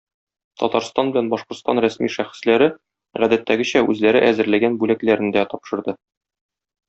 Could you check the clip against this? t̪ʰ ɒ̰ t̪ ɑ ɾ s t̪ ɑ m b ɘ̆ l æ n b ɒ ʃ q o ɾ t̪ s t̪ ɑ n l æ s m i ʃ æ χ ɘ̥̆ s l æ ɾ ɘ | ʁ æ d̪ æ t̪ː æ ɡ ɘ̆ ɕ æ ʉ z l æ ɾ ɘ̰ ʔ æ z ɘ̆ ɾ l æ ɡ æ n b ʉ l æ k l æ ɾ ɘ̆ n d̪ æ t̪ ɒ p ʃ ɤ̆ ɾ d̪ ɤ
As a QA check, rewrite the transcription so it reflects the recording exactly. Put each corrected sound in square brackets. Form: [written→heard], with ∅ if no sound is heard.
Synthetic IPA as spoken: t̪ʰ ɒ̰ t̪ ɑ ɾ s t̪ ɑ [m→n] b ɘ̆ l æ n b ɒ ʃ q o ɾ t̪ s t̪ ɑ n [l→ɾ] æ s m i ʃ æ χ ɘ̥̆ s l æ ɾ ɘ | ʁ æ d̪ æ t̪ː æ ɡ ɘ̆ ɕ æ ʉ z l æ ɾ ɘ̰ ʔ æ z ɘ̆ ɾ l æ ɡ æ n b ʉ l æ k l æ ɾ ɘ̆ n d̪ æ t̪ ɒ p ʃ ɤ̆ ɾ d̪ ɤ